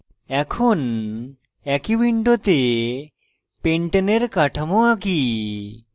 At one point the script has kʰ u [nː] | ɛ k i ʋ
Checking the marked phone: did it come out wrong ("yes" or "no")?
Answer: yes